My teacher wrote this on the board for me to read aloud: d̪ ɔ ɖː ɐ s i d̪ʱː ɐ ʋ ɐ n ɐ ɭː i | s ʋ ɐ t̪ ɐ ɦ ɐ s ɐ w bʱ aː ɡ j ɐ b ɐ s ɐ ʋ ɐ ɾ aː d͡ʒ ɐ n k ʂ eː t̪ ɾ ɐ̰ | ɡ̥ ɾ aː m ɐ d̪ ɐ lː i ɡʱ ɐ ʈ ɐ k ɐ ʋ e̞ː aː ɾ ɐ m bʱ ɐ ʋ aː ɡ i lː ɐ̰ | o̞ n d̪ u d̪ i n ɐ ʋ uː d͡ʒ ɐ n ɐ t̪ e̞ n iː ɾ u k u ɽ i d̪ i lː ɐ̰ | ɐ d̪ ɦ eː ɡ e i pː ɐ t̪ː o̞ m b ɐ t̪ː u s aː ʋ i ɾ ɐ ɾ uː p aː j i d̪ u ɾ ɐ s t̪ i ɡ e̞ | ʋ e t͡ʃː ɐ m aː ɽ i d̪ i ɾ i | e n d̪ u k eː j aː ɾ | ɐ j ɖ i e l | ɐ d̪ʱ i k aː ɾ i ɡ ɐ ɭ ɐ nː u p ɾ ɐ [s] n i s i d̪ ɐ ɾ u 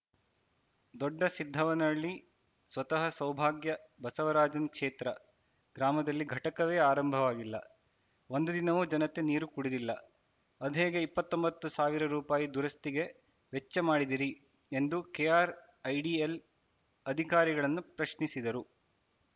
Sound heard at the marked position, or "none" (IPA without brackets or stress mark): ʃ